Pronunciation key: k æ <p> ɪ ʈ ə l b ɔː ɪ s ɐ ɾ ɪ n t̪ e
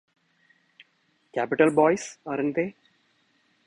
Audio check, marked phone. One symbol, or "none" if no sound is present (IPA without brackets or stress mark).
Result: p